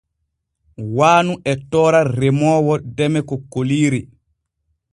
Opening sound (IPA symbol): w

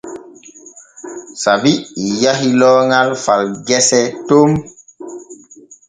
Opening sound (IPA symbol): s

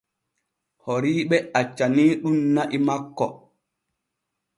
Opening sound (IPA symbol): h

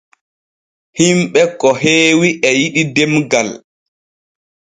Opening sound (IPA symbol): h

